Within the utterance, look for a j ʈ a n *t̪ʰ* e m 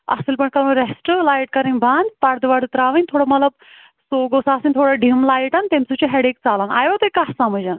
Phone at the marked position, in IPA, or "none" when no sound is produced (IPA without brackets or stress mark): t̪